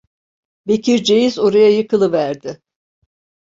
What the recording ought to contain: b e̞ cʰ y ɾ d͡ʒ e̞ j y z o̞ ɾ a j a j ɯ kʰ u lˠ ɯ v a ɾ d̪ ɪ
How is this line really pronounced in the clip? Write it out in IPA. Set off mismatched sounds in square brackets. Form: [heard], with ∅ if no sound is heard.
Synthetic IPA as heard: b e̞ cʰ [i] ɾ d͡ʒ e̞ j [i] z o̞ ɾ a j a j ɯ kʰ [ɯ] lˠ ɯ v [æ] ɾ d̪ ɪ